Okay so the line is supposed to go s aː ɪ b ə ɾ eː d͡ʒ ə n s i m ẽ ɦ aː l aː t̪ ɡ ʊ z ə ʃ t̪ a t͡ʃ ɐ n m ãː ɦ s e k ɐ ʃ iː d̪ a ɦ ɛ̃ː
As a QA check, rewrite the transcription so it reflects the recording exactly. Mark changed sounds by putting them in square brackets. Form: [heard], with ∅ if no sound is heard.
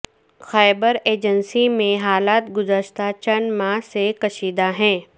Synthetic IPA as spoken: [x] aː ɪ b ə ɾ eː d͡ʒ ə n s i m ẽ ɦ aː l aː t̪ ɡ ʊ z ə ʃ t̪ a t͡ʃ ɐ n m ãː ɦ s e k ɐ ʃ iː d̪ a ɦ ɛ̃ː